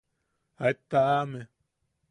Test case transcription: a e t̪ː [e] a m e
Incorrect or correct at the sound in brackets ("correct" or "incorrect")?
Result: incorrect